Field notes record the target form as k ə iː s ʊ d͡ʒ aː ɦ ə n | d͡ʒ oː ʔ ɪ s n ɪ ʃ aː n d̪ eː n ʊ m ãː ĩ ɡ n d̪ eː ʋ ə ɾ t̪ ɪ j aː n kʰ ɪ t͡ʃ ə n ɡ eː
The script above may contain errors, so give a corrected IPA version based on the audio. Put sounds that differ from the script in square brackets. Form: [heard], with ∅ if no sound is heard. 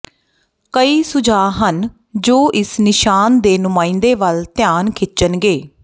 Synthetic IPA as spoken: k ə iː s ʊ d͡ʒ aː ɦ ə n | d͡ʒ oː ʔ ɪ s n ɪ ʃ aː n d̪ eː n ʊ m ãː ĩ [∅] n d̪ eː ʋ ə [l] t̪ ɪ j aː n kʰ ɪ t͡ʃ ə n ɡ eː

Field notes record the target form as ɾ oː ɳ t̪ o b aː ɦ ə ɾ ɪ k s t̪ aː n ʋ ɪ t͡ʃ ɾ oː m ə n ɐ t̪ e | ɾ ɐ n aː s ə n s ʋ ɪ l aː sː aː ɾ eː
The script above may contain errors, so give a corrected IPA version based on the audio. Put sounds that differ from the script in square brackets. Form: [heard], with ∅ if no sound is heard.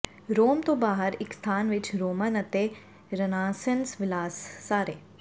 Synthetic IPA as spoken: ɾ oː [m] t̪ o b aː ɦ ə ɾ ɪ k s [t̪ʰ] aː n ʋ ɪ t͡ʃ ɾ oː m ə n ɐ t̪ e | ɾ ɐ n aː s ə n s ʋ ɪ l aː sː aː ɾ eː

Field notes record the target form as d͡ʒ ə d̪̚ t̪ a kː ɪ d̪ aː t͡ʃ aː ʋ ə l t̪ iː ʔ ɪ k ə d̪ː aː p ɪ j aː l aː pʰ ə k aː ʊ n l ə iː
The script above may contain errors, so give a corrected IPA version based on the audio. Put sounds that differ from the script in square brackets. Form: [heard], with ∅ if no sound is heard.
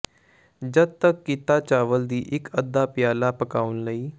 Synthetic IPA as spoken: d͡ʒ ə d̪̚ t̪ [ə] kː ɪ [t̪] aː t͡ʃ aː ʋ ə l [d̪] iː ʔ ɪ k ə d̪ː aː p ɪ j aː l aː [p] ə k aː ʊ n l ə iː

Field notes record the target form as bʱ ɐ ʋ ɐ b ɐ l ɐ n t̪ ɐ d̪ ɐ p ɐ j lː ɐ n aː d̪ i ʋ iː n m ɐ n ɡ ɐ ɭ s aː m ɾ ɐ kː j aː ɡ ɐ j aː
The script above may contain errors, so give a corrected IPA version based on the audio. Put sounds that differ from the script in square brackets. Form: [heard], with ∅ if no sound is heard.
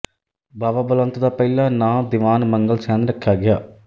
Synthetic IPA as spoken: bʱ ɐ ʋ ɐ b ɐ l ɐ n t̪ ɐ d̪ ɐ p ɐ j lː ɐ n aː d̪ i ʋ [aː] n m ɐ [ŋ] ɡ ɐ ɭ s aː [n] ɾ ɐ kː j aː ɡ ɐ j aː

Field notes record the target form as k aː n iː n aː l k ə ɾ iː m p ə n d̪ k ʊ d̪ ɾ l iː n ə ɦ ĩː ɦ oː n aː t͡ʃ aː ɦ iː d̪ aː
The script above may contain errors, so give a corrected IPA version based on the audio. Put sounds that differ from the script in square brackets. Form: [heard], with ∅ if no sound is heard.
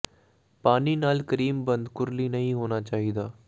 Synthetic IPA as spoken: [p] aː n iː n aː l k ə ɾ iː m [b] ə n d̪ k ʊ [∅] ɾ l iː n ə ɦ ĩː ɦ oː n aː t͡ʃ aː ɦ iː d̪ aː

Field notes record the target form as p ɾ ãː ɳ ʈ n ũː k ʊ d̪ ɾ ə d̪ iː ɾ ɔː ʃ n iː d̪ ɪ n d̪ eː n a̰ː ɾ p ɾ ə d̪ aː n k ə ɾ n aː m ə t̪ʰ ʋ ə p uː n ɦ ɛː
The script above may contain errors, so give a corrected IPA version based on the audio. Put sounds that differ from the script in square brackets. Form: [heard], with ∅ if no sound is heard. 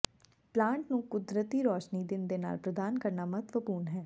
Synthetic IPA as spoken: p [l] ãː ɳ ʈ n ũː k ʊ d̪ ɾ ə [t̪] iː ɾ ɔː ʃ n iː d̪ ɪ n d̪ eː n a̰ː [l] p ɾ ə d̪ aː n k ə ɾ n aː m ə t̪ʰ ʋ ə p uː n ɦ ɛː

